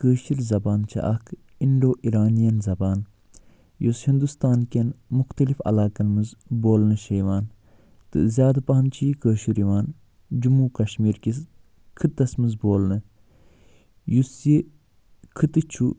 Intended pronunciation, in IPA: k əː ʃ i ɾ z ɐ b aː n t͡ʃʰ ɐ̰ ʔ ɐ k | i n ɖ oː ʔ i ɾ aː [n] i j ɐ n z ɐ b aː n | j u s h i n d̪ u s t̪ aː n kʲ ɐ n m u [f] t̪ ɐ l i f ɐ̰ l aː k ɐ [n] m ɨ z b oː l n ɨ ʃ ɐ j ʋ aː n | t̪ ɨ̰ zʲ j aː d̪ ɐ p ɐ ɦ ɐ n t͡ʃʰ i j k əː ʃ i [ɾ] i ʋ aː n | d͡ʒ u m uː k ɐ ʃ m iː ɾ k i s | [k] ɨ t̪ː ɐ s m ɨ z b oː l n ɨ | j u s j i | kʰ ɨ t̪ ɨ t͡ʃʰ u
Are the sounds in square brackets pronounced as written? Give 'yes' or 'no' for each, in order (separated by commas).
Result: yes, no, yes, yes, no